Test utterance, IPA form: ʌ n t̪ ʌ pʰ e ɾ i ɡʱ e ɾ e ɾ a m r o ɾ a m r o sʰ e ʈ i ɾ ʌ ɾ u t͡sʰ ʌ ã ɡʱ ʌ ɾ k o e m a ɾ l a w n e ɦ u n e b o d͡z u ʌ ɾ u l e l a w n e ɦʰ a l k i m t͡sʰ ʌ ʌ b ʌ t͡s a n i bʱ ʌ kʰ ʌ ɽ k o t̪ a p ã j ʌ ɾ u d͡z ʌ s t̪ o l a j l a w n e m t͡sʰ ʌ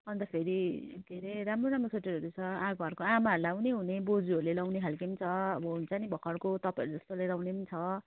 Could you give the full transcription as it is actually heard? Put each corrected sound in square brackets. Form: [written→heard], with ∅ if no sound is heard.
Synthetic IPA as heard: ʌ n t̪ ʌ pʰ e ɾ i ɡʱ e ɾ e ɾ a m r o ɾ a m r o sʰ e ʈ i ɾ ʌ ɾ u t͡sʰ ʌ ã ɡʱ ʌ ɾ k o [e→a] m a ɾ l a w n e ɦ u n e b o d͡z u ʌ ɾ u l e l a w n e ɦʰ a l k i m t͡sʰ ʌ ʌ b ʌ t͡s a n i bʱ ʌ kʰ ʌ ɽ k o t̪ [a→ʌ] p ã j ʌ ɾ u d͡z ʌ s t̪ o l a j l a w n e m t͡sʰ ʌ